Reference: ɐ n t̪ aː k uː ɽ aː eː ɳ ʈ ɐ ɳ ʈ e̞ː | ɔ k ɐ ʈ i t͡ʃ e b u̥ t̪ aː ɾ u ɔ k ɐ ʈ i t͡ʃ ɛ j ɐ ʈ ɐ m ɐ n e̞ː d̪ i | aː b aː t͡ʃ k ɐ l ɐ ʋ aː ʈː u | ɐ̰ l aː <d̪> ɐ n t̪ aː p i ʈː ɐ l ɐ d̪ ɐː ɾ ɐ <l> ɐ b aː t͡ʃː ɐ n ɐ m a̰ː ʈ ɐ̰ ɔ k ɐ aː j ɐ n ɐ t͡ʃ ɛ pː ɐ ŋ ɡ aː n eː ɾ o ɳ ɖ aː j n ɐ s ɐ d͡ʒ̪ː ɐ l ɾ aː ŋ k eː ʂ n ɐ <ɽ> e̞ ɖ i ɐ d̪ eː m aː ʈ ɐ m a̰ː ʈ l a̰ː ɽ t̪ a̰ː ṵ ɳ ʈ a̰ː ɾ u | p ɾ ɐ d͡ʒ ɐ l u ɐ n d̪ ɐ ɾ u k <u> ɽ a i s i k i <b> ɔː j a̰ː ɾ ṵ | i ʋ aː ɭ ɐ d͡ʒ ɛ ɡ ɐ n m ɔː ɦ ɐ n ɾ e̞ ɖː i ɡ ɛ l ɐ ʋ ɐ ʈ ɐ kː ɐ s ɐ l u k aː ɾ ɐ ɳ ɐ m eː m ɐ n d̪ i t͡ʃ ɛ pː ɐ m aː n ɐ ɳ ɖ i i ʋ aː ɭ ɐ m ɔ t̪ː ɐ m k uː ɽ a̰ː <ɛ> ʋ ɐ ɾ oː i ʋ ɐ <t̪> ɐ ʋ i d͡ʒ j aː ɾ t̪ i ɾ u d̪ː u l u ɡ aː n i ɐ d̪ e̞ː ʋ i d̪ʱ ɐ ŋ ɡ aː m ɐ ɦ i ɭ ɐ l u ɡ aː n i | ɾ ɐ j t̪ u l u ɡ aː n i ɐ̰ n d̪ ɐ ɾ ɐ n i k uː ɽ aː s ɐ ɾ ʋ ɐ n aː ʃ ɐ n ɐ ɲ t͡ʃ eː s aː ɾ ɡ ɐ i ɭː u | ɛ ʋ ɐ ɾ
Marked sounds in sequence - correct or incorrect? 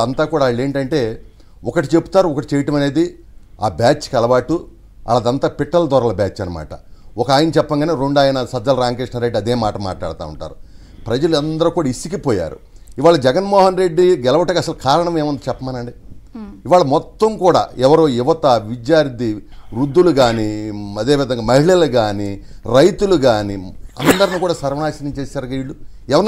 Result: correct, correct, incorrect: ɾ, incorrect: uː, incorrect: p, correct, correct

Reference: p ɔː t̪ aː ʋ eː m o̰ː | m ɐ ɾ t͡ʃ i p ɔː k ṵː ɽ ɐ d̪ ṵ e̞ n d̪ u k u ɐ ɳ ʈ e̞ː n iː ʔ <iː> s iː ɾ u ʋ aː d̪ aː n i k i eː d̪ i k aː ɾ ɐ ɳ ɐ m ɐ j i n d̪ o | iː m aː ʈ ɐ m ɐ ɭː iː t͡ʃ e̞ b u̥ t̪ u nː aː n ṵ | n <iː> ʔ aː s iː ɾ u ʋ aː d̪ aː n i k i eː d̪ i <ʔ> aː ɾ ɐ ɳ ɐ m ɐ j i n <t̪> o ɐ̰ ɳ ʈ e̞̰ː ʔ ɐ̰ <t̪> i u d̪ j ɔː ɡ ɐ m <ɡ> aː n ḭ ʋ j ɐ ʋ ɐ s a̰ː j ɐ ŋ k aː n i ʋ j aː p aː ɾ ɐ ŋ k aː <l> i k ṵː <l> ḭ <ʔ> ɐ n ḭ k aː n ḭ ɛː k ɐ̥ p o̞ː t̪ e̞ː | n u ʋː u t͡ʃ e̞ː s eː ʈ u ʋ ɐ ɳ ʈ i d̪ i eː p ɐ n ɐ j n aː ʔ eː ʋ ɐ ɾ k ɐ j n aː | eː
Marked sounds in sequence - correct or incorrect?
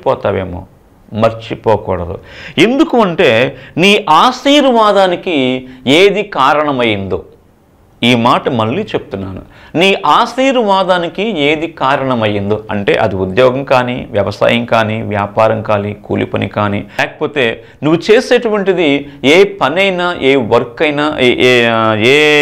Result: incorrect: aː, correct, incorrect: k, incorrect: d̪, incorrect: d̪, incorrect: k, correct, correct, incorrect: p

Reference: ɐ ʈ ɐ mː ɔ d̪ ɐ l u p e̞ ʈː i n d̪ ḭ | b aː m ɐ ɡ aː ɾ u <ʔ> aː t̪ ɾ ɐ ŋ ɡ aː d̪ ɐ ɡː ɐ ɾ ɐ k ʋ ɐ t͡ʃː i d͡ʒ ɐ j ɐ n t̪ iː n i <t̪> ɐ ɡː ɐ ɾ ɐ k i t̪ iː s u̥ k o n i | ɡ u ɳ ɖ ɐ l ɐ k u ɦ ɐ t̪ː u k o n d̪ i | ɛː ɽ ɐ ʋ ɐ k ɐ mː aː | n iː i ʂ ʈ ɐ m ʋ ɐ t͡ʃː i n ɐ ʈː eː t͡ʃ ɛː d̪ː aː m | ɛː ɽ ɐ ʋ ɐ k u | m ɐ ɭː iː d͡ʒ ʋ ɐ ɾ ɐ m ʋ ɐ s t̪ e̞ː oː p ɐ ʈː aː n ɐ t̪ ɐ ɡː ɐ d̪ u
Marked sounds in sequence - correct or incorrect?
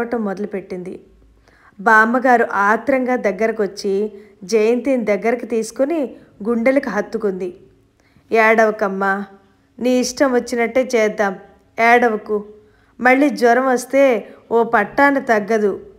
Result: correct, incorrect: d̪

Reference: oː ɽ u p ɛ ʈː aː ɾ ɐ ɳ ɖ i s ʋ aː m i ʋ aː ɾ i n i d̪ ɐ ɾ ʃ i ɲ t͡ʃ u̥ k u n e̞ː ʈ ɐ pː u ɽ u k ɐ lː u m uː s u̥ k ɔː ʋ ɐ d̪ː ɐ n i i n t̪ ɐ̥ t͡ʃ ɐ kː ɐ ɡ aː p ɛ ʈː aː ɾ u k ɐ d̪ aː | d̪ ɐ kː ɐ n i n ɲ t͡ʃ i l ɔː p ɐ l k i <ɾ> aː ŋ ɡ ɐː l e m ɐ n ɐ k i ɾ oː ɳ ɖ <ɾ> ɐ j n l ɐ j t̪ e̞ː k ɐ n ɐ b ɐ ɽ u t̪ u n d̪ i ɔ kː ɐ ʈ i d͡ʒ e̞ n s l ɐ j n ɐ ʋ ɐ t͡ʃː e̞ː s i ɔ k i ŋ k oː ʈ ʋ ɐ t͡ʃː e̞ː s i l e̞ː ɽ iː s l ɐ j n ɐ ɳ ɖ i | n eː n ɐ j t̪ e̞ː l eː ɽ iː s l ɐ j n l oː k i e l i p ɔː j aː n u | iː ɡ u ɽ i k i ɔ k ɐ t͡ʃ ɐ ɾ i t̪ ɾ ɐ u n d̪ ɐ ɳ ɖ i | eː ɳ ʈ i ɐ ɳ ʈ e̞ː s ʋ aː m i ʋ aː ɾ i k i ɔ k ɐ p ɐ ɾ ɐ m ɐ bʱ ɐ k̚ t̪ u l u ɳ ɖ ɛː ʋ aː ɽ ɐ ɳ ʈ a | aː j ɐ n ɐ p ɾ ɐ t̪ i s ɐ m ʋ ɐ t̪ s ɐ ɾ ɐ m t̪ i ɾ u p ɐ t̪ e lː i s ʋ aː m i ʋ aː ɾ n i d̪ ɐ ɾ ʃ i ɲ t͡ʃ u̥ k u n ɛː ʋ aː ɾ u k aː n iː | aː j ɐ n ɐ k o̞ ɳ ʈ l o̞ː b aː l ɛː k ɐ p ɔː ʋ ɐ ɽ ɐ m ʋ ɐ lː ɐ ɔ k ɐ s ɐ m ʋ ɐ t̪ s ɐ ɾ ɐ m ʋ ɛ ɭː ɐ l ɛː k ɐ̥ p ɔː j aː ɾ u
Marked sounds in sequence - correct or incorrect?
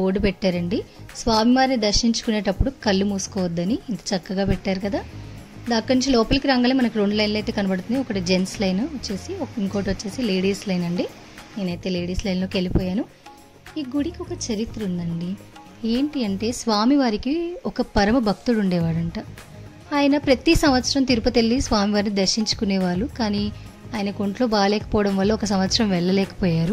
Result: correct, incorrect: l

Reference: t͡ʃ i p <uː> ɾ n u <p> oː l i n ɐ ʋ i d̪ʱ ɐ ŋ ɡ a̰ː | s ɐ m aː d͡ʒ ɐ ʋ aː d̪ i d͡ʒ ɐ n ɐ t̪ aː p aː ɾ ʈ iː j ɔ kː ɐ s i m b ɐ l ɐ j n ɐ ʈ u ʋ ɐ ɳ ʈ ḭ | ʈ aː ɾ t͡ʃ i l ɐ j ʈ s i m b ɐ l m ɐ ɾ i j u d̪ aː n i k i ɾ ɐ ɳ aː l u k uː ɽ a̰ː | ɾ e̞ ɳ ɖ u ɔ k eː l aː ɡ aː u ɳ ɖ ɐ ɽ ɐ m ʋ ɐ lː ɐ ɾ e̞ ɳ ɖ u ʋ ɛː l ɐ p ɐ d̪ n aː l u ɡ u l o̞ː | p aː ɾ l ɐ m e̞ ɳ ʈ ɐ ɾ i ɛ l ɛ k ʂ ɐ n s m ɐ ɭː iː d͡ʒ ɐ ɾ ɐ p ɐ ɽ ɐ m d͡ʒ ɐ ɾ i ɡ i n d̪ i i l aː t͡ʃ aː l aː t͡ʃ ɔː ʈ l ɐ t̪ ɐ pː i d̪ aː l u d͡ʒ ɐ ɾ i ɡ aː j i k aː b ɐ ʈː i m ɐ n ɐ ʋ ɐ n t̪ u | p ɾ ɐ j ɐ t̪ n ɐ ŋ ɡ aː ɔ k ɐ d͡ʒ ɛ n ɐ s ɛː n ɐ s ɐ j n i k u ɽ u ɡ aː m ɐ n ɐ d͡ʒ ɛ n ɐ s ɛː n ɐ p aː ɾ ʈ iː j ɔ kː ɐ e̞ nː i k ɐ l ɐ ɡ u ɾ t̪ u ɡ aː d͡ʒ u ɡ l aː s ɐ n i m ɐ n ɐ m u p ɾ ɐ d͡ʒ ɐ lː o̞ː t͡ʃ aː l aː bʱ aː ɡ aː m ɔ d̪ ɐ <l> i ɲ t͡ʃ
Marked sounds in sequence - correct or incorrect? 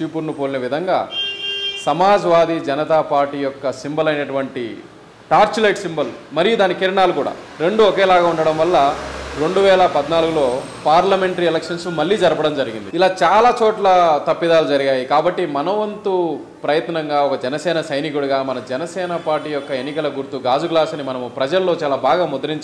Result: incorrect: u, correct, incorrect: ɾ

